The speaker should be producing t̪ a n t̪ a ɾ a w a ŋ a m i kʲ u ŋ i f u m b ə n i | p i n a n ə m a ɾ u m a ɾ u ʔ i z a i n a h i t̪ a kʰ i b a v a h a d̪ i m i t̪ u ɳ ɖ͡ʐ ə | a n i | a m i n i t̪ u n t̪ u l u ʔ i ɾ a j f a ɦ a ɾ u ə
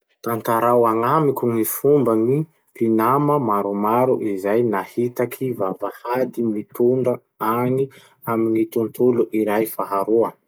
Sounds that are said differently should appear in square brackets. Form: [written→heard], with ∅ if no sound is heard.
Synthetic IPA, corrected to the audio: t̪ a n t̪ a ɾ a w a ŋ a m i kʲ u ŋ i f u m b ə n i | p i n a [n→m] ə m a ɾ u m a ɾ u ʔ i z a [i→j] n a h i t̪ a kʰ i [b→v] a v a h a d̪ i m i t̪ u ɳ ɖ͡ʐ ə | a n i | a m i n i t̪ u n t̪ u l u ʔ i ɾ a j f a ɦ a ɾ u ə

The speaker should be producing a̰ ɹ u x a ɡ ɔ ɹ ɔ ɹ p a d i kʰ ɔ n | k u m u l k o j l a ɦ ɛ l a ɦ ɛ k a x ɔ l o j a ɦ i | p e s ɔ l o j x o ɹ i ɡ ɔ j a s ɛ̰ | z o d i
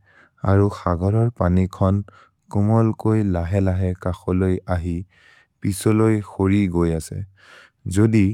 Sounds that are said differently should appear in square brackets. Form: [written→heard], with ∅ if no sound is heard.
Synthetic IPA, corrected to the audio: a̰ ɹ u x a ɡ ɔ ɹ ɔ ɹ p a [d→n] i kʰ ɔ n | k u m [u→ɔ] l k o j l a ɦ ɛ l a ɦ ɛ k a x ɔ l o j a ɦ i | p [e→i] s ɔ l o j x o ɹ i ɡ [ɔ→o] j a s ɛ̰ | z o d i

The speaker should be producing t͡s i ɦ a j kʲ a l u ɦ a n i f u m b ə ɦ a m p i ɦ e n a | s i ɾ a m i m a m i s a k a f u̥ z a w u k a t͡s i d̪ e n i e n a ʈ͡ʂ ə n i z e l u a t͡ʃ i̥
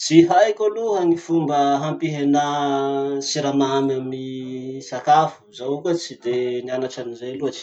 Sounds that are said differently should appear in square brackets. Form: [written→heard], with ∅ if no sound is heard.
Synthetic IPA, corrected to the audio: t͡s i ɦ a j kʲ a l u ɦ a n i f u m b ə ɦ a m p i ɦ e n a | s i ɾ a m [i→a] m a m i s a k a f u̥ z a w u k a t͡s i d̪ e n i [e→a] n a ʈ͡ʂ [ə→a] n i z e l u a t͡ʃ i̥

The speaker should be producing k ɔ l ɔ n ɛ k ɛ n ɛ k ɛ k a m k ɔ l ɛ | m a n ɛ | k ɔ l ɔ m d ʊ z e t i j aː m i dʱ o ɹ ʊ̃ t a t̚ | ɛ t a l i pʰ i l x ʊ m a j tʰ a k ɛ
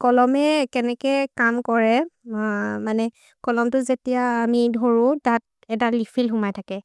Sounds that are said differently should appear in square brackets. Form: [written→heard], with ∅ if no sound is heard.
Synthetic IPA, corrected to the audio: k ɔ l ɔ [n→m] ɛ k ɛ n ɛ k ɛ k a m k ɔ [l→ɹ] ɛ | m a n ɛ | k ɔ l ɔ m [d→t] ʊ z e t i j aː m i dʱ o ɹ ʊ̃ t a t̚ | ɛ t a l i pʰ i l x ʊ m a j tʰ a k ɛ

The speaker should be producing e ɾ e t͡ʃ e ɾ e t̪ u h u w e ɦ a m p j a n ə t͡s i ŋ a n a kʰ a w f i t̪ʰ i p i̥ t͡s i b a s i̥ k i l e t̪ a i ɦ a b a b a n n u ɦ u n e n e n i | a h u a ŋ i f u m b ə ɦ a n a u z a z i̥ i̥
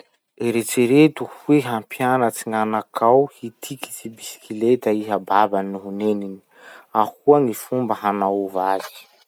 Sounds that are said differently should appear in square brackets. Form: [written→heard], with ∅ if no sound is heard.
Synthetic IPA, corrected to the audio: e ɾ e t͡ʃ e ɾ e t̪ u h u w e ɦ a m p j a n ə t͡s i ŋ a n a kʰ a w [f→h] i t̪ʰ i [p→k] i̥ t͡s i b [a→i] s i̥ k i l e t̪ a i ɦ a b a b a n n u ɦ u n e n [e→i] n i | a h u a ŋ i f u m b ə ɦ a n a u [z→v] a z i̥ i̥

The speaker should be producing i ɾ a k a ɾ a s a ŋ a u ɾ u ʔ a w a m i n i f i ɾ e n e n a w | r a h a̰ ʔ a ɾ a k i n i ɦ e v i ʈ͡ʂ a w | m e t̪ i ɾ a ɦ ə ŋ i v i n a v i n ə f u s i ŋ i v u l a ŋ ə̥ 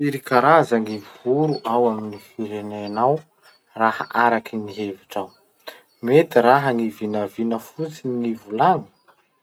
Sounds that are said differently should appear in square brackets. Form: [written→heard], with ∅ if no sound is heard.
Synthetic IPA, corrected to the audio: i ɾ [a→i] k a ɾ a [s→z] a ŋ [a→i] u ɾ u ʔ a w a m i n i f i ɾ e n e n a w | r a h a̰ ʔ a ɾ a k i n i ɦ e v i ʈ͡ʂ a w | m e t̪ i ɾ a ɦ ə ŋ i v i n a v i n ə f u [s→t͡s] i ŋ i v u l a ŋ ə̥

